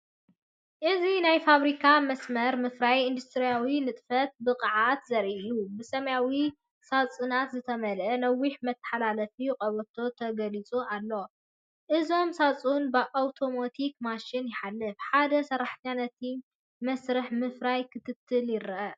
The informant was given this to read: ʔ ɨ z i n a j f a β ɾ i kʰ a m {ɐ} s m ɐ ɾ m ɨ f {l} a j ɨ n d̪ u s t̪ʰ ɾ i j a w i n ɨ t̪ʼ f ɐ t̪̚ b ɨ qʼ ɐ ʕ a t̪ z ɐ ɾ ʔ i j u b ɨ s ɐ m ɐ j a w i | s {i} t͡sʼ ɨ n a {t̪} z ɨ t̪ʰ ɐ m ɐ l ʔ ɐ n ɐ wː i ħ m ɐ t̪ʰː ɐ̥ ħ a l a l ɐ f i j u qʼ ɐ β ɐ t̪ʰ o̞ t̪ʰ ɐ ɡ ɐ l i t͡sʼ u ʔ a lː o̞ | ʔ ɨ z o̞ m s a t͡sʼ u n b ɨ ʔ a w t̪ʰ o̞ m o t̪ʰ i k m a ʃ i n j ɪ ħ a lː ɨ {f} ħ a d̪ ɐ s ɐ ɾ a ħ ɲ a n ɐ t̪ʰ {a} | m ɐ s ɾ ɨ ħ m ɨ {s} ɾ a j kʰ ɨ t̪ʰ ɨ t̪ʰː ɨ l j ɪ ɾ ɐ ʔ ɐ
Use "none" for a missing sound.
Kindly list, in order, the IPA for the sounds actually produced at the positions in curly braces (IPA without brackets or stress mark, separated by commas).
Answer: ɐ, ɾ, a, t̪, f, i, f